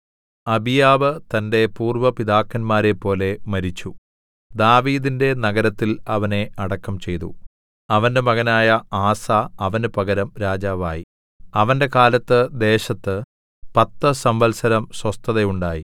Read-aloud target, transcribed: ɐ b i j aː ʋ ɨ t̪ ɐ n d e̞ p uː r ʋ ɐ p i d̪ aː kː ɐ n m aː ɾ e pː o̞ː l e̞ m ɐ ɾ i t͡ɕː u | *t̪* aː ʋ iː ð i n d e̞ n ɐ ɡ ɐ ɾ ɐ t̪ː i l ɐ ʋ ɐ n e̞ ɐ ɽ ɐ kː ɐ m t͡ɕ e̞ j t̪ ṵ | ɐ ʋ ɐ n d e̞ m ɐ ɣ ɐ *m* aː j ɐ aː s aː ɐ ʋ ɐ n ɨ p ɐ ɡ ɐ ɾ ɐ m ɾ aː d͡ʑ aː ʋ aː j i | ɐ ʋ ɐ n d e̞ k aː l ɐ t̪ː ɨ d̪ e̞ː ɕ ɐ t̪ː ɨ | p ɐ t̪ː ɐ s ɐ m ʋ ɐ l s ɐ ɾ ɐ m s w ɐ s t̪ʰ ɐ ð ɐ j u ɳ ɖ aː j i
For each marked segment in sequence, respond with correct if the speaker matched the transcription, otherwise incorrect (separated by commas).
incorrect, incorrect